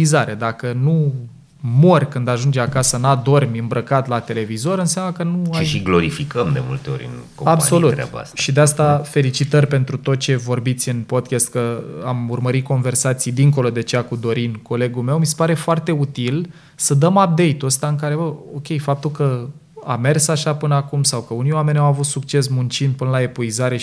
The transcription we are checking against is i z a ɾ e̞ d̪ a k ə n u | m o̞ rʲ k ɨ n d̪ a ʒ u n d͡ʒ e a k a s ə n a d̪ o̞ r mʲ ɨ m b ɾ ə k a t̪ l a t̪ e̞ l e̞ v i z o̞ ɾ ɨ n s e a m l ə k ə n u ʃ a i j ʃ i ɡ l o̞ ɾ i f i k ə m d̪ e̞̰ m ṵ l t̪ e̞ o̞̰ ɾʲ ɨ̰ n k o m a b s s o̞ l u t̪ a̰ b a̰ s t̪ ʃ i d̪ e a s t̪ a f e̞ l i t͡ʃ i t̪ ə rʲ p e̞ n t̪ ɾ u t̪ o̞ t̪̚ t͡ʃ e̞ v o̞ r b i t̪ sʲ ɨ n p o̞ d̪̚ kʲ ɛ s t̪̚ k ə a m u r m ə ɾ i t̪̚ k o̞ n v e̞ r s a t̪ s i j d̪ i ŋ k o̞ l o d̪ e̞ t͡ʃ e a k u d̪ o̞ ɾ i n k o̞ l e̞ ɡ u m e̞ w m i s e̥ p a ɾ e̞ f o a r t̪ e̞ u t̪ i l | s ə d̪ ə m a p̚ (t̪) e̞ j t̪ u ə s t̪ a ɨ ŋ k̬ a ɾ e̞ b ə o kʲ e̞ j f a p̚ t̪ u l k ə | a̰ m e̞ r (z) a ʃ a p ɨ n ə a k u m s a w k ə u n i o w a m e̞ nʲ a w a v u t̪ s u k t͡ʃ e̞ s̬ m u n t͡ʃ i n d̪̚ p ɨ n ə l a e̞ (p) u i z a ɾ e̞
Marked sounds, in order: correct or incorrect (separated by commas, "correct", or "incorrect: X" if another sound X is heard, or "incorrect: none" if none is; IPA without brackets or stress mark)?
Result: incorrect: d̪, incorrect: s, correct